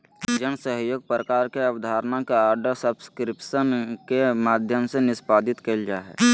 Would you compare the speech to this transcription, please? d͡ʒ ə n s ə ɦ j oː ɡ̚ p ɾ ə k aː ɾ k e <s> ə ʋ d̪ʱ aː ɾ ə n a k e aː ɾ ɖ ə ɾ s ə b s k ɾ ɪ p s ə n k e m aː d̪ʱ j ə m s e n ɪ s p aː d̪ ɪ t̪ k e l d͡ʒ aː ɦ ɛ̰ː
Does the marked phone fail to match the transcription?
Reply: yes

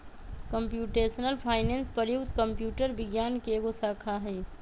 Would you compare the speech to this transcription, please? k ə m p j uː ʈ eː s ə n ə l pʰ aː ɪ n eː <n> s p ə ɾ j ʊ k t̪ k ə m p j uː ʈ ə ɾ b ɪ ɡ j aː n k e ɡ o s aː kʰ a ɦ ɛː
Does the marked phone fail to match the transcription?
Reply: no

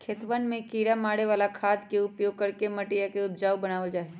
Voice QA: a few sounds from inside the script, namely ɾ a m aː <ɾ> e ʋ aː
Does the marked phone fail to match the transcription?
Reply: yes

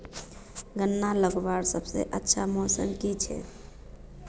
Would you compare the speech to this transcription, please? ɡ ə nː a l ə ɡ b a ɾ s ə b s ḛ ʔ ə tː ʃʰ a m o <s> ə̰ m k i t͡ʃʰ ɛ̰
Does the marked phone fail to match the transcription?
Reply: no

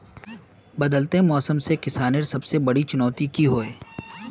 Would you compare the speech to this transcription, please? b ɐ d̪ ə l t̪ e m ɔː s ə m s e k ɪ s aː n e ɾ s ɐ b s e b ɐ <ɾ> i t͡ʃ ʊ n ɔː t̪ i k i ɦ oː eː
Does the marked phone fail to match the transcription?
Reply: yes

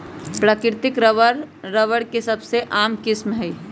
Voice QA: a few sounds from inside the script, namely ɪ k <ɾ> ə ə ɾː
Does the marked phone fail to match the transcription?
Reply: no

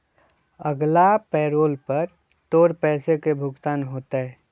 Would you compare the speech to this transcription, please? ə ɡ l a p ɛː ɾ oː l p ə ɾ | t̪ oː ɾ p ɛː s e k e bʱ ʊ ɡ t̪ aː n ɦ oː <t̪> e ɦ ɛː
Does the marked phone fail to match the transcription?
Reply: no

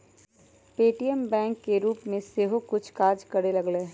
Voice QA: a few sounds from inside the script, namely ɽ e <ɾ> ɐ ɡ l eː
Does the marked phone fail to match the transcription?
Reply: yes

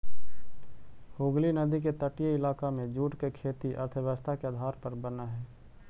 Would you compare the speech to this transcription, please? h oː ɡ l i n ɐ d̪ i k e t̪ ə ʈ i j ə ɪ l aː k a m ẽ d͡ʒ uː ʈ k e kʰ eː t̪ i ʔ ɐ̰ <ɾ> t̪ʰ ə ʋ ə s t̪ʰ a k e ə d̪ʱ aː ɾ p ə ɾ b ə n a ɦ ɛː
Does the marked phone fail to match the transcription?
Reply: no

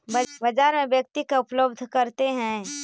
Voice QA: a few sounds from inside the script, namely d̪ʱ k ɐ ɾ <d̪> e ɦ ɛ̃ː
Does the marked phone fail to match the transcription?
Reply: yes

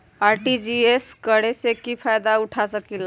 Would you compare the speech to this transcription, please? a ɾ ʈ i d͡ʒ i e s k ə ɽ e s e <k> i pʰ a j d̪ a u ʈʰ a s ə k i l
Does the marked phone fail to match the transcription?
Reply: no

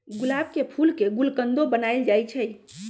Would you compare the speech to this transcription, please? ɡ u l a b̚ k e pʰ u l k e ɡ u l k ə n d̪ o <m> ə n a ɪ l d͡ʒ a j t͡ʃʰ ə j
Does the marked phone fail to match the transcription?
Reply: yes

